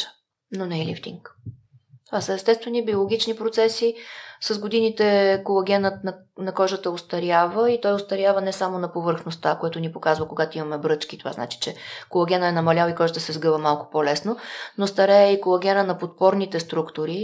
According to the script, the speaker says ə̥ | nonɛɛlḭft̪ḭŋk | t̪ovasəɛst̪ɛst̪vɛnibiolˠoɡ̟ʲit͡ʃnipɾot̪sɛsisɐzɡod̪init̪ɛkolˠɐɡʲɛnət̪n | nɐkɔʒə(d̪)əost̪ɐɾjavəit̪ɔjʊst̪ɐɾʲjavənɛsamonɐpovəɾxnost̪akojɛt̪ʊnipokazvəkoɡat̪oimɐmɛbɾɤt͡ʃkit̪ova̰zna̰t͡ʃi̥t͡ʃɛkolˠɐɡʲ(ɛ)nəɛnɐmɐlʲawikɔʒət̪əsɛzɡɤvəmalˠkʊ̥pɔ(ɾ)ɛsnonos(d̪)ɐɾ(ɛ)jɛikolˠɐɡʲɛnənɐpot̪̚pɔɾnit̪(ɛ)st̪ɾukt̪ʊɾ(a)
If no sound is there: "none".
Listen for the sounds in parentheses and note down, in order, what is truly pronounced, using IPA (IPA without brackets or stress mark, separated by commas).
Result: t̪, ɛ, l, t̪, ɛ, ɛ, i